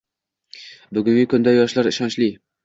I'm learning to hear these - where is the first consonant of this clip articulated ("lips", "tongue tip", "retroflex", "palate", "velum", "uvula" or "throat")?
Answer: lips